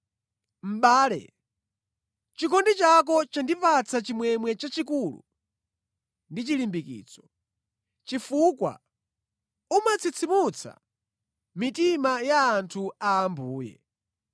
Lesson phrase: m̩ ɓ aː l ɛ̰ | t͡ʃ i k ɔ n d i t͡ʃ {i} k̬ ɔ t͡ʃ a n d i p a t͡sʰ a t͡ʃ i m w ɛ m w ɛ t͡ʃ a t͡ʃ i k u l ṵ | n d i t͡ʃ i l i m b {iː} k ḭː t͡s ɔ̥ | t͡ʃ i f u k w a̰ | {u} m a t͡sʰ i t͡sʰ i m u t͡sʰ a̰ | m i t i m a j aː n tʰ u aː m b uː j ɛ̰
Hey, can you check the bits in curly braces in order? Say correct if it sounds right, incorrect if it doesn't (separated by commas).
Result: incorrect, incorrect, correct